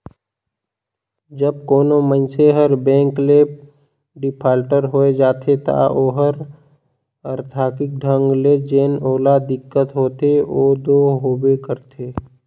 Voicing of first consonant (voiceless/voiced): voiced